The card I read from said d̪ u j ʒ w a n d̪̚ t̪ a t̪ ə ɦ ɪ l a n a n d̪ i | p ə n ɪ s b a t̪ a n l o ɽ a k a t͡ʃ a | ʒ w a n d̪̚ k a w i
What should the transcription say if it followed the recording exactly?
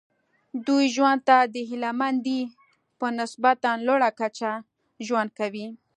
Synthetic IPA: d̪ u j ʒ w a n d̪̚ t̪ a d̪ ə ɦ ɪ l a m a n d̪ i | p ə n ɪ s b a t̪ a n l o ɽ a k a t͡ʃ a | ʒ w a n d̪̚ k a w i